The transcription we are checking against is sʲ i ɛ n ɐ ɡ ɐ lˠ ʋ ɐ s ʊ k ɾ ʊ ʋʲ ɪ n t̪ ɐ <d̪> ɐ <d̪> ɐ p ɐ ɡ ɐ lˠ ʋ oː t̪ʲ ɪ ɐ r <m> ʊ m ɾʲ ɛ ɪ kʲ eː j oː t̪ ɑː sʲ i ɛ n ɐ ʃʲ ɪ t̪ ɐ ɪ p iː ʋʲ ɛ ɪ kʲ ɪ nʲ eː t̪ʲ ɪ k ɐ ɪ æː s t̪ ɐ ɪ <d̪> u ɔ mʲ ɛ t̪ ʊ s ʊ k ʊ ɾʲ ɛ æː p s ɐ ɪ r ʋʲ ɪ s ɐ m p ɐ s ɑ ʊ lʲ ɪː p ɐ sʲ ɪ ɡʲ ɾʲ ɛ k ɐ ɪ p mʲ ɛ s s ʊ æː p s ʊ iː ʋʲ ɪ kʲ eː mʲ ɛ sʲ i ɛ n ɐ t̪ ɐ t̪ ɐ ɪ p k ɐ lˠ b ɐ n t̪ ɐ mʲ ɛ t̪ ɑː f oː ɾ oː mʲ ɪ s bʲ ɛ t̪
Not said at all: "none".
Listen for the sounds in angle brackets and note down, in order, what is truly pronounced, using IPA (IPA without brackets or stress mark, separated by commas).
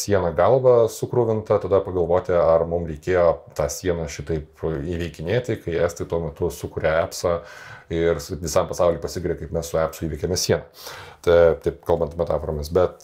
t̪, d̪, m, t̪